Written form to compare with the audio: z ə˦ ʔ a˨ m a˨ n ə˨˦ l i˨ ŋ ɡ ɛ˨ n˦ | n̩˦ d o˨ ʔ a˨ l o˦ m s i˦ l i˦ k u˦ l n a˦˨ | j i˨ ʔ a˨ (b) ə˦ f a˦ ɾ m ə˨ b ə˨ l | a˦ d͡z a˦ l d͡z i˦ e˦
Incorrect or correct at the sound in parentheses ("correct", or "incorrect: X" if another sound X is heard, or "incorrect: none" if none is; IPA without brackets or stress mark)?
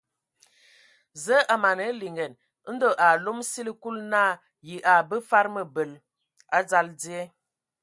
correct